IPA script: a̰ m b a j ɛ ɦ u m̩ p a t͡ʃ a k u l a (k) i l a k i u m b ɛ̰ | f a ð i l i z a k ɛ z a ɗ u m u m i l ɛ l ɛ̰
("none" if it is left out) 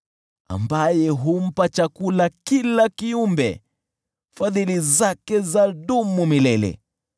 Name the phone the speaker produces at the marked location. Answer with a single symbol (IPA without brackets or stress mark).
k